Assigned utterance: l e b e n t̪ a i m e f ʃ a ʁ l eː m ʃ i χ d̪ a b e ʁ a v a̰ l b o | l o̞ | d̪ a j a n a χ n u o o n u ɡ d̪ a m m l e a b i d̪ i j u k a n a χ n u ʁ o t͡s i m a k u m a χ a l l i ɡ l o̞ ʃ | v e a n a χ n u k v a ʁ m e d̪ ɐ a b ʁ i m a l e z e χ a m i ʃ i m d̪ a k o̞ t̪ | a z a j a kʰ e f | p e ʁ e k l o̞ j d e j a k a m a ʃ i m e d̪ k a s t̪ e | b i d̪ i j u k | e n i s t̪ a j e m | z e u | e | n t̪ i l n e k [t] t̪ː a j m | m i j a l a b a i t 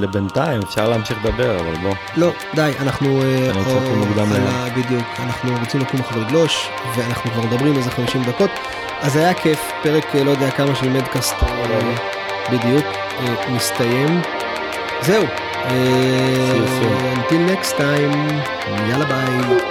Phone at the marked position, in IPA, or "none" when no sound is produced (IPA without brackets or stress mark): s